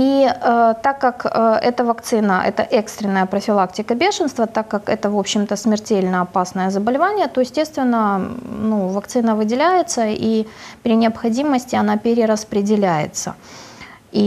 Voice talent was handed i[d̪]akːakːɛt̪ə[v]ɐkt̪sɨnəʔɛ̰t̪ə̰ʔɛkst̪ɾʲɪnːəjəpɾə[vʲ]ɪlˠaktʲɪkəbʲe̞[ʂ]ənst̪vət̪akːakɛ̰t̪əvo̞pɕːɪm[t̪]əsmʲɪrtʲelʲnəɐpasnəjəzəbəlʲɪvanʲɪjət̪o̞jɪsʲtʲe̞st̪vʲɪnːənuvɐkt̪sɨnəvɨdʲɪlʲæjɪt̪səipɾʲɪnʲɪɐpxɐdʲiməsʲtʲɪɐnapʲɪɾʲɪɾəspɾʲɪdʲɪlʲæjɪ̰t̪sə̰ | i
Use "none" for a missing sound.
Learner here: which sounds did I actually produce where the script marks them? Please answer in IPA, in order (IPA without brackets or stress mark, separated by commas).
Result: t̪, v, fʲ, ʂ, t̪